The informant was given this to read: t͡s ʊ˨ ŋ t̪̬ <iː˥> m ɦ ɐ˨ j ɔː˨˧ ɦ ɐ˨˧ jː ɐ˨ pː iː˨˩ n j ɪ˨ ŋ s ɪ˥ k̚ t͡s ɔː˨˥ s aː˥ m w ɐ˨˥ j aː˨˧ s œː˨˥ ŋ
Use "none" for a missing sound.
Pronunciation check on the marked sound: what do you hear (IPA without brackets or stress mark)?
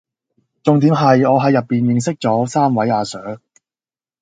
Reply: iː˨˥